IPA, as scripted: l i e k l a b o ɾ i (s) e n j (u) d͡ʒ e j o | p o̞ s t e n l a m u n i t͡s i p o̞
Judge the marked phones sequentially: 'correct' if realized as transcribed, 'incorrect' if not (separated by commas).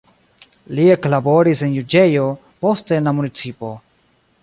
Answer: correct, correct